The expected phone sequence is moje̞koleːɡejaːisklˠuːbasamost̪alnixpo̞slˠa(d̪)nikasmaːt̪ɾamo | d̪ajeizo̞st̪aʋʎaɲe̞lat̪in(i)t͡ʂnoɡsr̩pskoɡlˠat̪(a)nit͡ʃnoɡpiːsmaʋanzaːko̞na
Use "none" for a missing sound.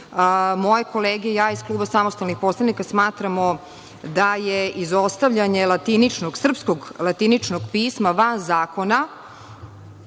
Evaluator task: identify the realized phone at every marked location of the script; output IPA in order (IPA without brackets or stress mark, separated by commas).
none, i, i